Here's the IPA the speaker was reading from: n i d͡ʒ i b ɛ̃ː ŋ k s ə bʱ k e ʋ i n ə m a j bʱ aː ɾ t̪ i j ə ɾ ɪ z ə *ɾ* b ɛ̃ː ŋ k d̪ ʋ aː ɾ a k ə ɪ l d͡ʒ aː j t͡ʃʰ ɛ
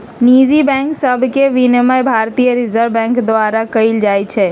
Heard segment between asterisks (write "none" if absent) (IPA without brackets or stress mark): ɾ